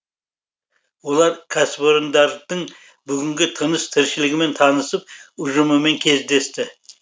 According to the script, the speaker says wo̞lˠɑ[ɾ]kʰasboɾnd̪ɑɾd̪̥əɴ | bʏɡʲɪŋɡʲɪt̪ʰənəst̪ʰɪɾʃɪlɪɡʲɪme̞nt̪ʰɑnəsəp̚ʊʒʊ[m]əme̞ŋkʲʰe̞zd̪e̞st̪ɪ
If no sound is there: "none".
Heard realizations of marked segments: ɾ, m

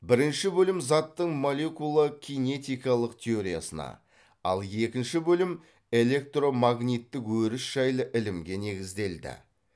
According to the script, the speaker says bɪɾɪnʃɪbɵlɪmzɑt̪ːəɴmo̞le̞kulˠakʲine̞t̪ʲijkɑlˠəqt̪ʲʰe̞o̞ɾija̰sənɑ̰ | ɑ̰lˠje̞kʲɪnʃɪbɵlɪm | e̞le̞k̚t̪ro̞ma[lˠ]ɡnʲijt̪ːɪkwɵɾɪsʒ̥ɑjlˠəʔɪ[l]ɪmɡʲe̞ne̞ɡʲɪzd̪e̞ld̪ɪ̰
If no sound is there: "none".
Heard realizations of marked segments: none, l

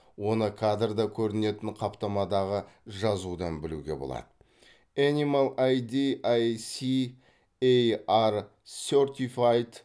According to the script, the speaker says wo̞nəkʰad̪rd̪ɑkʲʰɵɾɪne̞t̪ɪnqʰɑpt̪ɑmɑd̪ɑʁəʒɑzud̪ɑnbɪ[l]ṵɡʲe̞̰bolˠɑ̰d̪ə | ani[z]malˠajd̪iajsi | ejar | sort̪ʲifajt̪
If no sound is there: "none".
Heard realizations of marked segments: l, none

